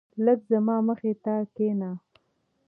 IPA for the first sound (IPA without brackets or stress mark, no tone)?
l